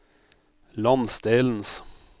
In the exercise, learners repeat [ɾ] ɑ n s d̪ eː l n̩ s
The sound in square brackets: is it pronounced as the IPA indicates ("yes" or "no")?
no